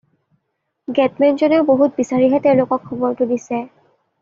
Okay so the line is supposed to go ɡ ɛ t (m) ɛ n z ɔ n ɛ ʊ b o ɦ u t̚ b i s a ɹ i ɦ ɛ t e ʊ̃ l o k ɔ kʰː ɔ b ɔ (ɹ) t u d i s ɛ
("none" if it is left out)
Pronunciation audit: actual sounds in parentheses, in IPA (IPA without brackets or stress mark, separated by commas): m, ɹ